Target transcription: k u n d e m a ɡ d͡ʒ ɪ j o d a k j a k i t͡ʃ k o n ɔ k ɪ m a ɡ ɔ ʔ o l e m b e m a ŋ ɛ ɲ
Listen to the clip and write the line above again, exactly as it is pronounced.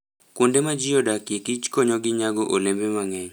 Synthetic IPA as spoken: k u n d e m a d͡ʒ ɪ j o d a k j e k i t͡ʃ k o ɲ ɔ ɡ ɪ ɲ a ɡ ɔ ʔ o l e m b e m a ŋ ɛ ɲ